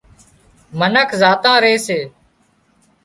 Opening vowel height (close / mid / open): mid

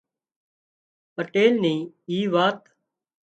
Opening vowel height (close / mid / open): mid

